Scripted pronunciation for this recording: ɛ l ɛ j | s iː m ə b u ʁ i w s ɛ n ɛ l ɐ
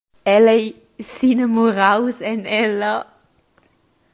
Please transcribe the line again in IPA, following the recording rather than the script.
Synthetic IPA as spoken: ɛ l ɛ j | s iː n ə m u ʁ a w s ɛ n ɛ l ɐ